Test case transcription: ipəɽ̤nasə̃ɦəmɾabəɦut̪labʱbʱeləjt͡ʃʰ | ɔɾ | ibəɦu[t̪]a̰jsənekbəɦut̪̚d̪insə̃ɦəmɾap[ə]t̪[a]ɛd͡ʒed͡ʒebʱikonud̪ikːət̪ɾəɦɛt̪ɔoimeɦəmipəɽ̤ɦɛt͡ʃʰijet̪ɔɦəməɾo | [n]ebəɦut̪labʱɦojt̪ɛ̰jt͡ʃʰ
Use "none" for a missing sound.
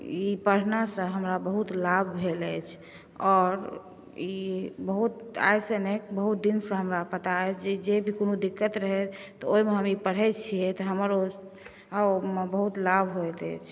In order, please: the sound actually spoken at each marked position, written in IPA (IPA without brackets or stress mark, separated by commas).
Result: t̪, ə, a, m